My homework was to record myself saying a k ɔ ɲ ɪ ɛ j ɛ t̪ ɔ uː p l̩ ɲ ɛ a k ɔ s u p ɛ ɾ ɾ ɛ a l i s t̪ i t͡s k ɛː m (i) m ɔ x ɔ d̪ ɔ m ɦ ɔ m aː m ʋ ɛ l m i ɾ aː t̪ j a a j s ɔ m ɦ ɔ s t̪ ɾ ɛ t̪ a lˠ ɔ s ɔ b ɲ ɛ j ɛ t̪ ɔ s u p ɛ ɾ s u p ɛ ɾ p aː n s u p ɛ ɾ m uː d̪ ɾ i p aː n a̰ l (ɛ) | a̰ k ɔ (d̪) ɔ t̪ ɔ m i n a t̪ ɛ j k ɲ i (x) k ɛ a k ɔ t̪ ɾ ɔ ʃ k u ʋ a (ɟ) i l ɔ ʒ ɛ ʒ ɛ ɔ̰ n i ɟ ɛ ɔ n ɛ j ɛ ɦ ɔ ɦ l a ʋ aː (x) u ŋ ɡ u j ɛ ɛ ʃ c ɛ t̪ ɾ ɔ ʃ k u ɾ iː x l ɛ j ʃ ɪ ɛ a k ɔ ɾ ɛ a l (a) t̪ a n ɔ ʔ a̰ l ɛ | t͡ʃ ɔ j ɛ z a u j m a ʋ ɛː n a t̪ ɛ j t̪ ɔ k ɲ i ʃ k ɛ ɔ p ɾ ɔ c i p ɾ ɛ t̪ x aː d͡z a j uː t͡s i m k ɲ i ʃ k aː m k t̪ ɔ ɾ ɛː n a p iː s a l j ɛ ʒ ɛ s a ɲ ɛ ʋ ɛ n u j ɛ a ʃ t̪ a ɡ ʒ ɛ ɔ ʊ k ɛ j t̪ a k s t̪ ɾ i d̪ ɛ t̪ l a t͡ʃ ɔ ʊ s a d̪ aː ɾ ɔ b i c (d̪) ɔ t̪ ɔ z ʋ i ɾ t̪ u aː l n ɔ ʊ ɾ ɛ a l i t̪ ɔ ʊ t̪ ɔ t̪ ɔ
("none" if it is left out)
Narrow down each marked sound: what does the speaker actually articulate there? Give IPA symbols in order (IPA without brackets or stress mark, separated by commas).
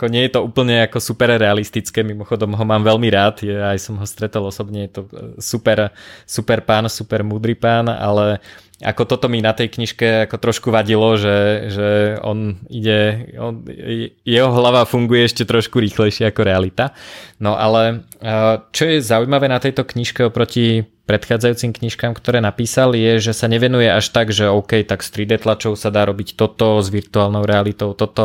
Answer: i, ɛ, t̪, ʃ, ɟ, f, i, t̪